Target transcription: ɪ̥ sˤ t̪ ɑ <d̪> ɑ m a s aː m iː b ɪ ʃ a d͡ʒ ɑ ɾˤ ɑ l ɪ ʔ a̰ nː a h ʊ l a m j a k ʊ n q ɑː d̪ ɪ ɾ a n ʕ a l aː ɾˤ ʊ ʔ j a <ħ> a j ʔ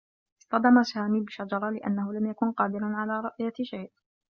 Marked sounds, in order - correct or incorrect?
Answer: correct, incorrect

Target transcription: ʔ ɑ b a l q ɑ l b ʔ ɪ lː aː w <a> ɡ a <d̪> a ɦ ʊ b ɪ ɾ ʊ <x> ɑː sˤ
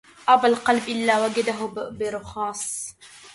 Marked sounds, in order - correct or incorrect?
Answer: correct, correct, correct

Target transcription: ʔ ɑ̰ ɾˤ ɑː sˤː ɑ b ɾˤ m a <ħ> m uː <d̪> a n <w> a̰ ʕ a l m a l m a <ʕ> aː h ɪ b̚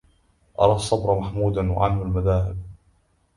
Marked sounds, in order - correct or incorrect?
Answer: correct, correct, correct, incorrect

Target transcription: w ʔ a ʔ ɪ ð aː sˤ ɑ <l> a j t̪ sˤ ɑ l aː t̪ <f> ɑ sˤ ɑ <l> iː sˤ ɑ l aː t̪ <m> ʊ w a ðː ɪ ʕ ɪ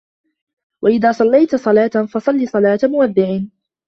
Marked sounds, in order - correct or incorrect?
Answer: incorrect, correct, incorrect, correct

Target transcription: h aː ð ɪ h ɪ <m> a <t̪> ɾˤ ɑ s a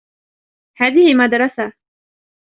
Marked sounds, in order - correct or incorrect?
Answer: correct, incorrect

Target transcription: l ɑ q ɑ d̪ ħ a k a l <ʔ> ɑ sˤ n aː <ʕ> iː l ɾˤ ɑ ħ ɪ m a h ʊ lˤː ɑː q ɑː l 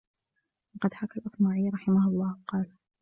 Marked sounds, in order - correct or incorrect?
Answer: correct, correct

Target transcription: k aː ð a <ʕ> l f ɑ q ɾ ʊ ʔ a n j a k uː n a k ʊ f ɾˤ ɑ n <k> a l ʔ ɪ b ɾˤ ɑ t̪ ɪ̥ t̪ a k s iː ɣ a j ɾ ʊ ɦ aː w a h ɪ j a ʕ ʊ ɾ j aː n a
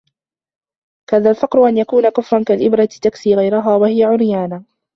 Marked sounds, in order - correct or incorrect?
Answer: incorrect, correct

